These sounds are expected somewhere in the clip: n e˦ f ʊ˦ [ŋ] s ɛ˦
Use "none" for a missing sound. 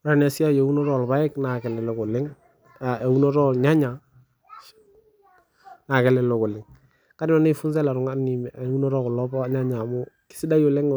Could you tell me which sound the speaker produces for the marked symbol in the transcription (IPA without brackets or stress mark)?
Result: n